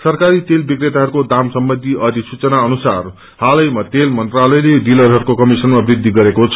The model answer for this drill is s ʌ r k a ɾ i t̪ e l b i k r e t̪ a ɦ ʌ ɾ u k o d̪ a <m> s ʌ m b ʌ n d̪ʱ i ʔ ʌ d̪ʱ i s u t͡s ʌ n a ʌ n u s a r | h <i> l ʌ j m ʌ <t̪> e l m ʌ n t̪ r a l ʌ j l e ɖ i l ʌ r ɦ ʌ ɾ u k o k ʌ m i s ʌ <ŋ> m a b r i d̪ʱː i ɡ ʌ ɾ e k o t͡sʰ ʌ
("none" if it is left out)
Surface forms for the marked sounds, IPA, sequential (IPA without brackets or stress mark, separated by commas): m, a, t̪, n